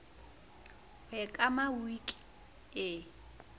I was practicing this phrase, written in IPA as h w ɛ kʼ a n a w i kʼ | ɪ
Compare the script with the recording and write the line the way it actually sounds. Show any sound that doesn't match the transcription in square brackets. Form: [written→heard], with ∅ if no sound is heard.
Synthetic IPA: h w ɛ kʼ a [n→m] a w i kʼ | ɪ